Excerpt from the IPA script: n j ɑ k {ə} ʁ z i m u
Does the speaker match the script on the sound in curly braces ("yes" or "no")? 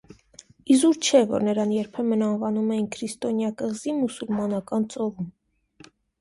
yes